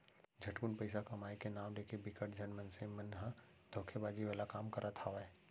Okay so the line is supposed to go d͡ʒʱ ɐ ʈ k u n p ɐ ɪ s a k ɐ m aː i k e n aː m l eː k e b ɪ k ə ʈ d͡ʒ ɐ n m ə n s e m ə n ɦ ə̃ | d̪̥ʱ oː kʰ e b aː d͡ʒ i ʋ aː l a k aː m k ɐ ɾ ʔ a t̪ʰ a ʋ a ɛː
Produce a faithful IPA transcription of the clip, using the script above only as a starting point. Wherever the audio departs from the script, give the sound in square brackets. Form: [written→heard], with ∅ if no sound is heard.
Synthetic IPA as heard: d͡ʒʱ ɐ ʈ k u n p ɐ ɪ s a k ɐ m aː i k e n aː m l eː k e b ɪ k ə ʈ d͡ʒ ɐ n m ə n s e m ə n ɦ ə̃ | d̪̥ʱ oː kʰ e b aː d͡ʒ i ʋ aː l a k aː m k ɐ ɾ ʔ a t̪ʰ a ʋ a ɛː